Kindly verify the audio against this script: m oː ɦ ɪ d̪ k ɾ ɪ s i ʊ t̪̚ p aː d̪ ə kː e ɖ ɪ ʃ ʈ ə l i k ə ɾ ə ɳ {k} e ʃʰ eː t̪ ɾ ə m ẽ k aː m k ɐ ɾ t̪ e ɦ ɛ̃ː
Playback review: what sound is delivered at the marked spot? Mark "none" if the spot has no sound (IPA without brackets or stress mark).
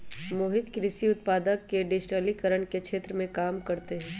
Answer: k